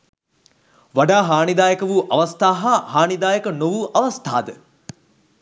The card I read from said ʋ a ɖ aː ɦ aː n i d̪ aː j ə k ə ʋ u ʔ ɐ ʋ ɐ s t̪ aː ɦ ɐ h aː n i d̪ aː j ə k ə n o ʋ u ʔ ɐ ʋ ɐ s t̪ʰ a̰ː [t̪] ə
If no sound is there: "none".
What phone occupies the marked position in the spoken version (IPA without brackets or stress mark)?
d̪